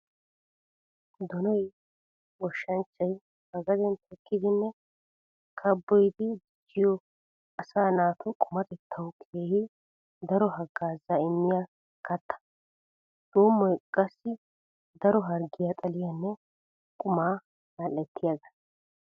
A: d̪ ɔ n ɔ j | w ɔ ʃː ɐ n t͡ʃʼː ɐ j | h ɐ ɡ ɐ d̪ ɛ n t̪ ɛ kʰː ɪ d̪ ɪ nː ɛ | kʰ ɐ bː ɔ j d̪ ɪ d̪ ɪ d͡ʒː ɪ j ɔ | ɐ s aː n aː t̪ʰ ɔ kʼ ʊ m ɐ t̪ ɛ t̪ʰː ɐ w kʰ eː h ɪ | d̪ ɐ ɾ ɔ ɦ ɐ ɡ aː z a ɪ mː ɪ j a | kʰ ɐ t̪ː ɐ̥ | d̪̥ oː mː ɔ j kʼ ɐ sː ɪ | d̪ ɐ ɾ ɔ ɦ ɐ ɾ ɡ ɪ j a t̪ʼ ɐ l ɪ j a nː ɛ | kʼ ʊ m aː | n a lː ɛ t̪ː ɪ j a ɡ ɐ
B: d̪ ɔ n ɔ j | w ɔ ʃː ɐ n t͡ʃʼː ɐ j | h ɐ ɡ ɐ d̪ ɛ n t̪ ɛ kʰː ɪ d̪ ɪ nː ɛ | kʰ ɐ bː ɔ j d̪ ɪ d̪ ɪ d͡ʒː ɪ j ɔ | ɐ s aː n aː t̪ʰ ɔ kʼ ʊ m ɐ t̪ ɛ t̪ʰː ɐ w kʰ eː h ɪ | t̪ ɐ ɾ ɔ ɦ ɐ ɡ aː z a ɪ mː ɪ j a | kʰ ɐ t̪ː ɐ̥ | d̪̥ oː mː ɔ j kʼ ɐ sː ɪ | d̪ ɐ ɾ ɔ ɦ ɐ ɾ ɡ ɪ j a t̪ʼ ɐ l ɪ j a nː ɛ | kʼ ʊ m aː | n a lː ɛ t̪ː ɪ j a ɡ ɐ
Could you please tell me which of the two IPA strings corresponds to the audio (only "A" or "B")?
A